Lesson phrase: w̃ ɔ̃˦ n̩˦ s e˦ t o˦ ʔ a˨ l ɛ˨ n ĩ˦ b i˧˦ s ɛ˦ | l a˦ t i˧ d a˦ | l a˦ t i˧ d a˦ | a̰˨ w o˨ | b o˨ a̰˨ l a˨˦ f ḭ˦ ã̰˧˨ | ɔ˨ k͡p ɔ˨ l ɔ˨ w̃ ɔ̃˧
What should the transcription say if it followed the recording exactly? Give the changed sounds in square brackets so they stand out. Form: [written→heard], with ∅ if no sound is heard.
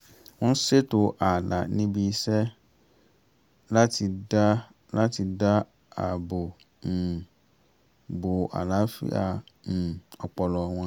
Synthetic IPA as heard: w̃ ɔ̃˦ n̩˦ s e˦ t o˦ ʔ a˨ l [ɛ˨→a˨] n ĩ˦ b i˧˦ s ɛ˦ | l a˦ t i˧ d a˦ | l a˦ t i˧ d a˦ | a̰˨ [w→b] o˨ | b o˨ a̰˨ l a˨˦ f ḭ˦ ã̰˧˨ | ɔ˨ k͡p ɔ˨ l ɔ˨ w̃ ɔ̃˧